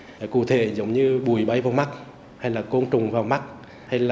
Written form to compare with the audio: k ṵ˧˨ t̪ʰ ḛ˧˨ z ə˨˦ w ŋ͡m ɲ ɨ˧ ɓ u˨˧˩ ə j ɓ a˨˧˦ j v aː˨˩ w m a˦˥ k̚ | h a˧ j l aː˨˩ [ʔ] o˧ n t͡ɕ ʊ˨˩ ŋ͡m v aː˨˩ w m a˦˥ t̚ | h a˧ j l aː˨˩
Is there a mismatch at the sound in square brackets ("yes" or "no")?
yes